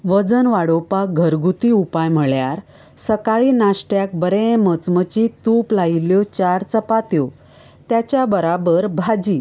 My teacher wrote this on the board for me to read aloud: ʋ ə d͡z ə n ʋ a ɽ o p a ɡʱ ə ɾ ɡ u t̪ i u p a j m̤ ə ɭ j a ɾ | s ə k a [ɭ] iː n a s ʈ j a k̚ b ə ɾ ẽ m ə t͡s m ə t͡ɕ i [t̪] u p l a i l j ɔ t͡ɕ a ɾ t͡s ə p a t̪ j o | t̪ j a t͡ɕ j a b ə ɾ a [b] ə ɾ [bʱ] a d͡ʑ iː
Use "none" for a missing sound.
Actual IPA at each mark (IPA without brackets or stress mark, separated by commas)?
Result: ɭ, t̪, b, bʱ